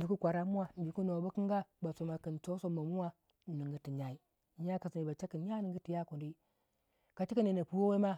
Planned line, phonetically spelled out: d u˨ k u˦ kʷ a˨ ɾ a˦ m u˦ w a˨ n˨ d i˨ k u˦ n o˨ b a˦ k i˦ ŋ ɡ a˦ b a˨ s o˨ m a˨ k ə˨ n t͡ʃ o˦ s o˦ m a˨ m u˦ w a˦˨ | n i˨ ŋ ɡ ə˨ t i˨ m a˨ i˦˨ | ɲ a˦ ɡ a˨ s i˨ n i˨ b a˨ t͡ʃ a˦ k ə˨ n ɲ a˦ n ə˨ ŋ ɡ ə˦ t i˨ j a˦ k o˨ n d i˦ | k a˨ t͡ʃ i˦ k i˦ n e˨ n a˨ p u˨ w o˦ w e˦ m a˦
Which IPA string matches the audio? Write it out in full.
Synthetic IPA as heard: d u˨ k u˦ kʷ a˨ ɾ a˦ m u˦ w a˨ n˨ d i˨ k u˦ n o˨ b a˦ k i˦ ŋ ɡ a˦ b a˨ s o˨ m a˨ k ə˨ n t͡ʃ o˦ s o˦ m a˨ m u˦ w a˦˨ | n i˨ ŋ ɡ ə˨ t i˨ ɲ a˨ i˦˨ | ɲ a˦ k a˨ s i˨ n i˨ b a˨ t͡ʃ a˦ k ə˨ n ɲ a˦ n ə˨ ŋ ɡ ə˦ t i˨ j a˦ k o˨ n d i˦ | k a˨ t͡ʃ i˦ k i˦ n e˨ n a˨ p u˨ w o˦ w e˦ m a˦